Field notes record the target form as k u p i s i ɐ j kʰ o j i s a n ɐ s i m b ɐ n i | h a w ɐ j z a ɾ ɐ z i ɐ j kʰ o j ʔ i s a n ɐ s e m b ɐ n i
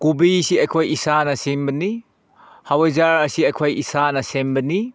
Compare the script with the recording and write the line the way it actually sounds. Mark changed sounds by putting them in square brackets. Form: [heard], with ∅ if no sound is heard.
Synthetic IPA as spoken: k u [b] i s i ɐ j kʰ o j i s a n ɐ s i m b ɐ n i | h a w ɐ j z a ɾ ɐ [s] i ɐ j kʰ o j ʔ i s a n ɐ s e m b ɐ n i